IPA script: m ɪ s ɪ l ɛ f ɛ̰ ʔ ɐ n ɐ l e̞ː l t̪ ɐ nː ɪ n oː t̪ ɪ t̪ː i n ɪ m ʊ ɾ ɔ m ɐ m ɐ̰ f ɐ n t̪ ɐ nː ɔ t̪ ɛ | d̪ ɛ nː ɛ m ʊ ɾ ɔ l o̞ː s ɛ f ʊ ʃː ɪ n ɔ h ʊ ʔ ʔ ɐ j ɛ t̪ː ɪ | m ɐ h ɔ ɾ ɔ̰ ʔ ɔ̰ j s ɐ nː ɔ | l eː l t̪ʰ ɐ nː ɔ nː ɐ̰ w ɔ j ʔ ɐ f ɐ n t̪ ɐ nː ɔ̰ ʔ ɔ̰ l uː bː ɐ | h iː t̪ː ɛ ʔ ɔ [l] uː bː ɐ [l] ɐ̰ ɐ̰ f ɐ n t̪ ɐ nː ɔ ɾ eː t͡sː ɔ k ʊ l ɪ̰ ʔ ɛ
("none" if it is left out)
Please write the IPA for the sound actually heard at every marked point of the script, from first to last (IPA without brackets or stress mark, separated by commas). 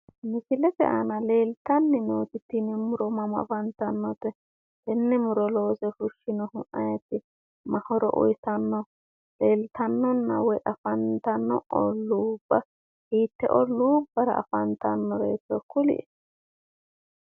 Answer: l, ɾ